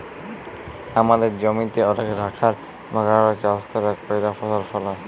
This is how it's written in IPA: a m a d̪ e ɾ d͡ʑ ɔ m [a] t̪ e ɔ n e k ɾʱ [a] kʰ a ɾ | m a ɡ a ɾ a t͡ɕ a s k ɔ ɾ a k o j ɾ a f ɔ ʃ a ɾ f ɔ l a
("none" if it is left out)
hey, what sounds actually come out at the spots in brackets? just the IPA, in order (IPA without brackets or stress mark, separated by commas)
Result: i, a